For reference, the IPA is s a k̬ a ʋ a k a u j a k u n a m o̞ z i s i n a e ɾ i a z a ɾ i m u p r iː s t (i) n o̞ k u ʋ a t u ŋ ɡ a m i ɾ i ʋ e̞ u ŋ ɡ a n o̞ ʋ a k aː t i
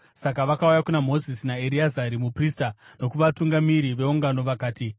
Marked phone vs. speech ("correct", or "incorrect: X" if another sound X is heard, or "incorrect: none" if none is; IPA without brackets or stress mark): incorrect: a